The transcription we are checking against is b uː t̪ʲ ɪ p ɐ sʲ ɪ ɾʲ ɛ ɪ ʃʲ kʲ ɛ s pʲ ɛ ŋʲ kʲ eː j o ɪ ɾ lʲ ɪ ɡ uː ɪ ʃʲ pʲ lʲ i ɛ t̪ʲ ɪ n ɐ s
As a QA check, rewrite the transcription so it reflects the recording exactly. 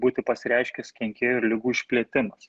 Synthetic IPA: b uː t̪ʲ ɪ p ɐ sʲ ɪ ɾʲ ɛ ɪ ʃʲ kʲ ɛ s kʲ ɛ ŋʲ kʲ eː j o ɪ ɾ lʲ ɪ ɡ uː ɪ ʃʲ pʲ lʲ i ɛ t̪ʲ ɪ m ɐ s